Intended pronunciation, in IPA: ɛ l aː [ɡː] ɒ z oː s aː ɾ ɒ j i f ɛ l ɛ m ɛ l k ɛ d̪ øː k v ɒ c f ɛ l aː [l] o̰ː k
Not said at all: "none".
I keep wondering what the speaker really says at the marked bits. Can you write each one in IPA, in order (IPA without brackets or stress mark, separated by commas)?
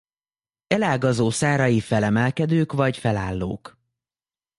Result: ɡ, lː